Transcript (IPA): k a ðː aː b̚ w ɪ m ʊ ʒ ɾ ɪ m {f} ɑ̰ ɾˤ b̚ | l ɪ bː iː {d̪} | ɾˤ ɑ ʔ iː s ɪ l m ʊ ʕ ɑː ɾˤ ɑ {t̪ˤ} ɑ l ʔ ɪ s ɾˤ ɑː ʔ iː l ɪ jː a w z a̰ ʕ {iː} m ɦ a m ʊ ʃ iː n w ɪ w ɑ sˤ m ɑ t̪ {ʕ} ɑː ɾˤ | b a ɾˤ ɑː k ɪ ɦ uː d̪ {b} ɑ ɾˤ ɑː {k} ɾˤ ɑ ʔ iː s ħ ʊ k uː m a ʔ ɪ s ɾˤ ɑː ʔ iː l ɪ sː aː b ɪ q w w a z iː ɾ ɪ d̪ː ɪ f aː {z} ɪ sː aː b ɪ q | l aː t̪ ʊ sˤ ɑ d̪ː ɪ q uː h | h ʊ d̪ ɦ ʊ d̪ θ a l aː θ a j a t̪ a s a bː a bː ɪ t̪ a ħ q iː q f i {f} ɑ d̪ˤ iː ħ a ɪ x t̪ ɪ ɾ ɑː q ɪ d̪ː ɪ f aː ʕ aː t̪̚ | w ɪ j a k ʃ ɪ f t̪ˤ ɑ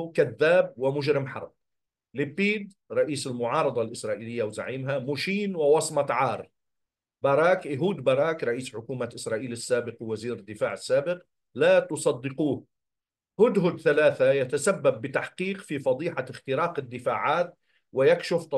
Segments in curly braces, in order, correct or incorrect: incorrect: ħ, correct, incorrect: d̪ˤ, correct, correct, correct, correct, incorrect: ʕ, correct

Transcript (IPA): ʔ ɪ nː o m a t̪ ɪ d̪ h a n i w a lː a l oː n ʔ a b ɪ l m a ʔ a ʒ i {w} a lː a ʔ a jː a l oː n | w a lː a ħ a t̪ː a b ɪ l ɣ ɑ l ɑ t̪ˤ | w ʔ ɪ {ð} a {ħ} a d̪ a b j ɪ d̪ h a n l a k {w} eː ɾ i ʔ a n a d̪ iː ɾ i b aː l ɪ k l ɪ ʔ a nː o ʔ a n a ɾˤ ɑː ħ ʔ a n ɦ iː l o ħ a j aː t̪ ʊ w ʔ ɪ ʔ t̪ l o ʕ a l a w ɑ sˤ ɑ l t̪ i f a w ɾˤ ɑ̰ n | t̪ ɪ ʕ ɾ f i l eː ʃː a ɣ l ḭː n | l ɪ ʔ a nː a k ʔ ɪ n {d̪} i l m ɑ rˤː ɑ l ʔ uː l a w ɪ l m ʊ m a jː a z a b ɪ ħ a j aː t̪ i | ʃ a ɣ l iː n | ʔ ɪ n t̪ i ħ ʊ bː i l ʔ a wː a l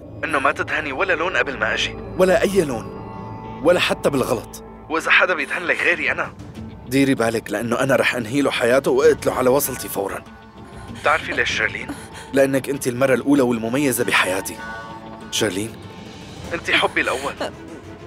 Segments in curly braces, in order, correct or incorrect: correct, incorrect: z, correct, incorrect: ɣ, incorrect: t̪

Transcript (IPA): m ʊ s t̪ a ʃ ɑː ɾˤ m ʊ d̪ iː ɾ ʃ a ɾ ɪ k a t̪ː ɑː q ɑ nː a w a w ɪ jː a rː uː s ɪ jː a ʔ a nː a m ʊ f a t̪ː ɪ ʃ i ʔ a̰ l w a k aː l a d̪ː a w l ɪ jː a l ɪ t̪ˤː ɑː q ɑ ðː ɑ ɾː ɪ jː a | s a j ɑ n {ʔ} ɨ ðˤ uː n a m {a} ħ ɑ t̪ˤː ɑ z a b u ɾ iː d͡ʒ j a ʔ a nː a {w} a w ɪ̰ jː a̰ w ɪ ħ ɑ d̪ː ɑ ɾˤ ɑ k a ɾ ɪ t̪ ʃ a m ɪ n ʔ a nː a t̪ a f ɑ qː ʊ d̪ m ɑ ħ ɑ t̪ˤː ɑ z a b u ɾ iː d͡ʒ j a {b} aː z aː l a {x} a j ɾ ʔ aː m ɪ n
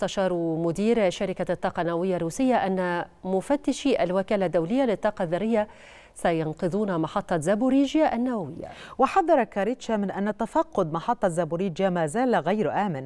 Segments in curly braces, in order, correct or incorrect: incorrect: q, incorrect: ɑ, correct, incorrect: m, incorrect: ɣ

